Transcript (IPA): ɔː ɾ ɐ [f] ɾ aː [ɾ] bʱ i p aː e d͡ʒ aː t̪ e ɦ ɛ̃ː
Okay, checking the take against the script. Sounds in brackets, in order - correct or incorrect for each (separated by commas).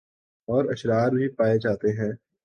incorrect, correct